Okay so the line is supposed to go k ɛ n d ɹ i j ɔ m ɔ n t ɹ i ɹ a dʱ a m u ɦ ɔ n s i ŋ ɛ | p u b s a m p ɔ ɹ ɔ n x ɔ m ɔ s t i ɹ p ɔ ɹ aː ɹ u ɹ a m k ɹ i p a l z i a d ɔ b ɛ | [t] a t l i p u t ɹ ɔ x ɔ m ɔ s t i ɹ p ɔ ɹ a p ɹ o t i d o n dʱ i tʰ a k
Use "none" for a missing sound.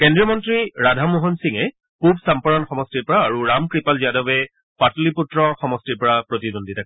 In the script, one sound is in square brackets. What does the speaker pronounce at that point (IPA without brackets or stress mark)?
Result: p